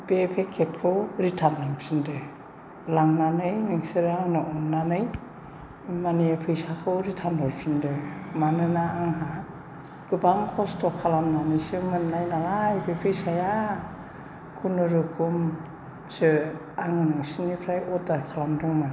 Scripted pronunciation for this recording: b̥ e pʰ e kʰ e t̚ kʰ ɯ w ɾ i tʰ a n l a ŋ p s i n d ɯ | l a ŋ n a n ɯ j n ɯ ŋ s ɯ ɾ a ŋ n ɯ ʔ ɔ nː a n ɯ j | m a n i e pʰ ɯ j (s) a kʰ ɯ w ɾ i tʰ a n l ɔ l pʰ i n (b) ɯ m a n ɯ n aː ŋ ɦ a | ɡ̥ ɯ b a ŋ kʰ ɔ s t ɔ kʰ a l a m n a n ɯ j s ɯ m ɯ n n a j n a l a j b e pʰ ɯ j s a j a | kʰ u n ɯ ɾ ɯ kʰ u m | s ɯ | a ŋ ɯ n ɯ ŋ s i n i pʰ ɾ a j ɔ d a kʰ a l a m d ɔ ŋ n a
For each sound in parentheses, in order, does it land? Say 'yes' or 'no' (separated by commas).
yes, no